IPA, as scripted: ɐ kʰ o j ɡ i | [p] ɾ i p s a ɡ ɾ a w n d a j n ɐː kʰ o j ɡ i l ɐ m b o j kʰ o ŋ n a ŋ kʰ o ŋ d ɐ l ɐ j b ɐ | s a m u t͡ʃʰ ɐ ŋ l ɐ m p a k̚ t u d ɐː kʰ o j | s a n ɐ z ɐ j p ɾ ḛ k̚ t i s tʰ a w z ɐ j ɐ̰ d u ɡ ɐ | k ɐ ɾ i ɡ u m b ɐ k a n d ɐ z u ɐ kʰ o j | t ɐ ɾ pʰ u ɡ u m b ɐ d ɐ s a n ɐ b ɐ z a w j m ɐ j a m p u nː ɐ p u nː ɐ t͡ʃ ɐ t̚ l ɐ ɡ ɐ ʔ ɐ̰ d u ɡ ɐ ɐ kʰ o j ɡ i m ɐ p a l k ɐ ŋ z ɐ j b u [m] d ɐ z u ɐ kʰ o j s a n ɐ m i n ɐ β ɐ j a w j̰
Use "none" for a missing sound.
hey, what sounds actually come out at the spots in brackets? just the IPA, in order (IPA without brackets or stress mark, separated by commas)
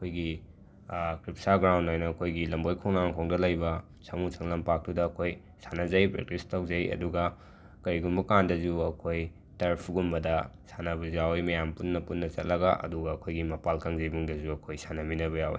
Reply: k, ŋ